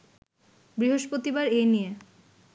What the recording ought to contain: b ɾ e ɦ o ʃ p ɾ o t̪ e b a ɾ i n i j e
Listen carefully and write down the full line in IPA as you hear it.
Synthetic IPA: b ɾ i ɦ o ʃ p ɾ o t̪ i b a ɾ e n i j e